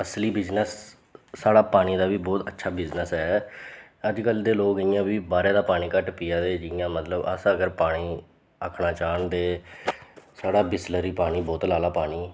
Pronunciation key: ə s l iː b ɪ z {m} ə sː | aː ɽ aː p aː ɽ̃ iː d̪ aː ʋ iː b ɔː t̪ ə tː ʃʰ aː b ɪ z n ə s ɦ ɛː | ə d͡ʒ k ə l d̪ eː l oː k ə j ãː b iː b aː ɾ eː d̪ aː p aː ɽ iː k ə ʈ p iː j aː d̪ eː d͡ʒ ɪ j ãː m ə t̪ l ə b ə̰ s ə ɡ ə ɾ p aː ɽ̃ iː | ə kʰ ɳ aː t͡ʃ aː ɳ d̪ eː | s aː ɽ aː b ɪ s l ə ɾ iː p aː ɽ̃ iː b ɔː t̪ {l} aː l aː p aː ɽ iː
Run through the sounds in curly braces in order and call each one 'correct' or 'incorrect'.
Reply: incorrect: n, correct

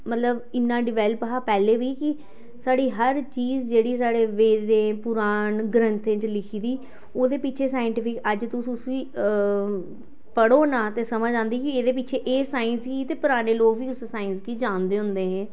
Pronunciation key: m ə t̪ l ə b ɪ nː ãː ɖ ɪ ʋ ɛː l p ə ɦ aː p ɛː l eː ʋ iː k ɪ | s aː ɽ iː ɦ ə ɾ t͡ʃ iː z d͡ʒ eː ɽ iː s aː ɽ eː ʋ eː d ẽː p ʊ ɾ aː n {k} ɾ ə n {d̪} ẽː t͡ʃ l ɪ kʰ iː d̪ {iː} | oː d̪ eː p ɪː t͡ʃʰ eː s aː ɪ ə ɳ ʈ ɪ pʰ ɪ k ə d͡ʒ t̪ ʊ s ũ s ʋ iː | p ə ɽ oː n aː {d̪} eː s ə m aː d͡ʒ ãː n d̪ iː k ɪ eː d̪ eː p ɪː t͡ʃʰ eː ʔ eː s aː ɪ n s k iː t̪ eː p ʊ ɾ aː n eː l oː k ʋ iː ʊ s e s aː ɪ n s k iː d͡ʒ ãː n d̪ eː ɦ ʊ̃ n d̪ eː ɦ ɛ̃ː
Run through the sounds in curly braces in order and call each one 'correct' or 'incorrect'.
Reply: incorrect: ɡ, incorrect: t̪, correct, incorrect: t̪

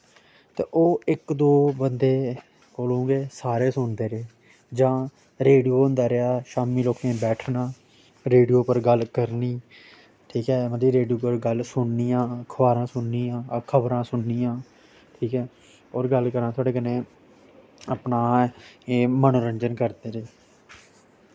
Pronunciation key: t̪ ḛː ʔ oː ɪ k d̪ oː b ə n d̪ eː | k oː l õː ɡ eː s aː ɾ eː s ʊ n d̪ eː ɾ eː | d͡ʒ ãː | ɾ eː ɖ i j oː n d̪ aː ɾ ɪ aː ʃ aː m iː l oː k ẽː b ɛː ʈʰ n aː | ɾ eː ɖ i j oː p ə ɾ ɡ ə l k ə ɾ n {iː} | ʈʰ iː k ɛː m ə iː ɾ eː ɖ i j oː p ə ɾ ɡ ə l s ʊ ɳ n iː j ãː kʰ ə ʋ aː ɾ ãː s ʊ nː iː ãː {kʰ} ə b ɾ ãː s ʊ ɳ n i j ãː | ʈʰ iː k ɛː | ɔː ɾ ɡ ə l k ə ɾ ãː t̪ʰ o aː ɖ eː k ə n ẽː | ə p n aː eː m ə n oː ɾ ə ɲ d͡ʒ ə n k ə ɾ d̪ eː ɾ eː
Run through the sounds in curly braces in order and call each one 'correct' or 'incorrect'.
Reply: correct, correct

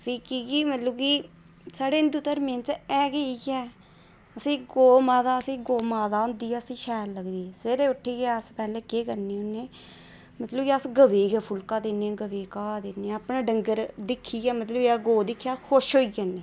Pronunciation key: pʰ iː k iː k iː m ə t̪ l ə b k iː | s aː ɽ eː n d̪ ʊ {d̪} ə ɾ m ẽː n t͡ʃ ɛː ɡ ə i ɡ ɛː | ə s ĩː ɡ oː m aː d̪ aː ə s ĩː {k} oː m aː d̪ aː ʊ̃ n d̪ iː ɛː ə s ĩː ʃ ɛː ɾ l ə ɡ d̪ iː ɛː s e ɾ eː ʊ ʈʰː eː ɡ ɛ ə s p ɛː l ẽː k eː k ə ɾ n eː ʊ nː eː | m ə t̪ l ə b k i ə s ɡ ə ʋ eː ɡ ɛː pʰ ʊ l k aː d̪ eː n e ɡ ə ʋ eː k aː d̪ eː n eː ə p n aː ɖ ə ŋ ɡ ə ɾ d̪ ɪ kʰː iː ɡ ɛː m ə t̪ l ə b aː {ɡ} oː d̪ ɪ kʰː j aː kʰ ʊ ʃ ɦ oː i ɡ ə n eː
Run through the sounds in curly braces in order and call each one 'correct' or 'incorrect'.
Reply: incorrect: t̪, incorrect: ɡ, correct

